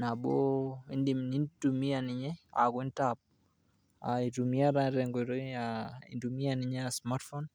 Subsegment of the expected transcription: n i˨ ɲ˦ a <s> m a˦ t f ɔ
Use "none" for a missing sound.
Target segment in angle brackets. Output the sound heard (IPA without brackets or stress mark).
s